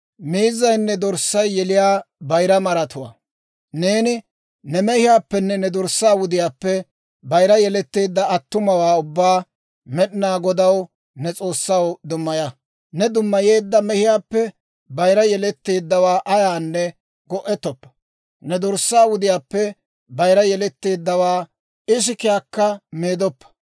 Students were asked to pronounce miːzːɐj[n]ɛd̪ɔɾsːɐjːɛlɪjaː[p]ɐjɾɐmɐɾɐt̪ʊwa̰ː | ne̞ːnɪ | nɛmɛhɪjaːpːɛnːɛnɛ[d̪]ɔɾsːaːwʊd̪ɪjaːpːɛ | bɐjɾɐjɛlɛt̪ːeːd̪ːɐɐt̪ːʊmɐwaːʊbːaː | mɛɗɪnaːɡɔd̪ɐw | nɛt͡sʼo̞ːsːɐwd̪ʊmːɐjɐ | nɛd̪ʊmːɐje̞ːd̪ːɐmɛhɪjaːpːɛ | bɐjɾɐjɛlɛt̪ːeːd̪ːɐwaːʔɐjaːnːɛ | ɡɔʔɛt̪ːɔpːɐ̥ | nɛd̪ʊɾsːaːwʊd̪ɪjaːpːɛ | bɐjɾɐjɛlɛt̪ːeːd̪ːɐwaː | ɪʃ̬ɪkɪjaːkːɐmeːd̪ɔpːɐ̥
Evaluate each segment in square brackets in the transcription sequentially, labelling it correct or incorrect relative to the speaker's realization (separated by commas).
incorrect, incorrect, correct